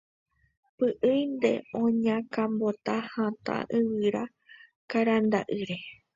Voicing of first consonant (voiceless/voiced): voiceless